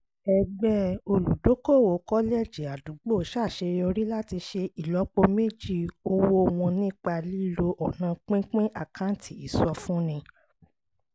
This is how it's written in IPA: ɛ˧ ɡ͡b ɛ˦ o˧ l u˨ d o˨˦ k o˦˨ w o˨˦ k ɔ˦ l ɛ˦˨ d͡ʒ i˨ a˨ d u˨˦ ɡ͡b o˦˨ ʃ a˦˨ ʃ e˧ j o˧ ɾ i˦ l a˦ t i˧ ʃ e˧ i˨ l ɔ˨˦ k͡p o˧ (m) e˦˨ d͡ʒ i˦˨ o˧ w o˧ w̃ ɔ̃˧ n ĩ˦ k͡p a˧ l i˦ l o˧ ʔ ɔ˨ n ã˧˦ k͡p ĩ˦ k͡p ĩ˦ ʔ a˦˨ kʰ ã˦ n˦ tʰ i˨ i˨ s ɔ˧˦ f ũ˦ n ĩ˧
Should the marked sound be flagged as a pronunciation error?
no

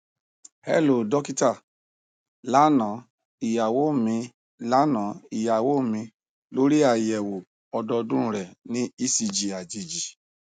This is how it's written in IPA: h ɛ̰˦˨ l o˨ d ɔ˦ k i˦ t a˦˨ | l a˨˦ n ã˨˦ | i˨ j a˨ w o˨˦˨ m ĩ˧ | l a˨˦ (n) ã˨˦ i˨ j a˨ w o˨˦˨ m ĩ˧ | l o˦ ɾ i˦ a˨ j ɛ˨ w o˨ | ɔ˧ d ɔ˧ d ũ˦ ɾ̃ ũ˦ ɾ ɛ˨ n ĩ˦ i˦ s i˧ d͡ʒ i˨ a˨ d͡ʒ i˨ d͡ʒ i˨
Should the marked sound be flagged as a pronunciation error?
no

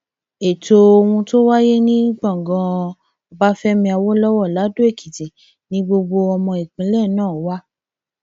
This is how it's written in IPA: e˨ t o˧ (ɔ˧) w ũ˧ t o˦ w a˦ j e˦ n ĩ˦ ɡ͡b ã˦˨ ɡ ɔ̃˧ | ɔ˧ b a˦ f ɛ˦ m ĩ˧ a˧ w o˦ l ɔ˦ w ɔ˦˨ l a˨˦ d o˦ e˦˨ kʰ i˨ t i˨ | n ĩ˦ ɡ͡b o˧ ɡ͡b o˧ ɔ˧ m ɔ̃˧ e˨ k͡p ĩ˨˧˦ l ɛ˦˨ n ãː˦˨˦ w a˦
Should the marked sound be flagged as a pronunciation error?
yes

